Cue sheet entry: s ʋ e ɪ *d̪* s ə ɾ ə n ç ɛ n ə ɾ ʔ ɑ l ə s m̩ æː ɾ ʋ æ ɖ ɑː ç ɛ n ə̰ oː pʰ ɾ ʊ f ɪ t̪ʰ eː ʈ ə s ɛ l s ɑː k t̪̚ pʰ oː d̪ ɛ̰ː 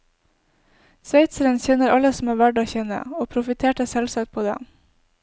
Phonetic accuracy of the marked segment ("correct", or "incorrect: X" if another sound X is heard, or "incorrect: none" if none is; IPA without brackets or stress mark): incorrect: t̪